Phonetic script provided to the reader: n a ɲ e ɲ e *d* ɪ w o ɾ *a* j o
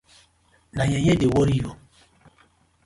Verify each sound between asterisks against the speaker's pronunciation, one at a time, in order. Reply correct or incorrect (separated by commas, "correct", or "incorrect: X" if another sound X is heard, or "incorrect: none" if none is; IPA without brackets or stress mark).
correct, incorrect: i